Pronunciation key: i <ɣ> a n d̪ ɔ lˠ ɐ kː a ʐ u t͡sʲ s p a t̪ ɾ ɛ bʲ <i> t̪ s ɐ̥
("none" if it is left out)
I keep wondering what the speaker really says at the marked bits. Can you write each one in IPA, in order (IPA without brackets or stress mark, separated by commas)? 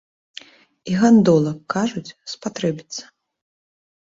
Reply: ɣ, i